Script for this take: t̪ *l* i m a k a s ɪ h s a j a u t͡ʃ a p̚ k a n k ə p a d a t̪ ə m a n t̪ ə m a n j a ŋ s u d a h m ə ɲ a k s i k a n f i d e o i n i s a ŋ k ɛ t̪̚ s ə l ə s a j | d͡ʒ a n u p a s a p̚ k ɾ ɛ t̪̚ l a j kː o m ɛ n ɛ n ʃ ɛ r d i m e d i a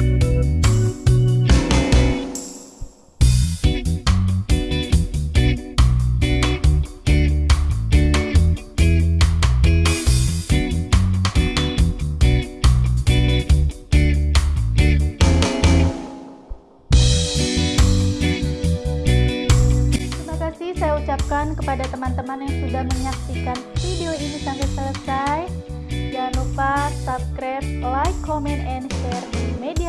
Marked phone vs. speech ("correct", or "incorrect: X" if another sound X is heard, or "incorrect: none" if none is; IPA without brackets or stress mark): incorrect: ɾ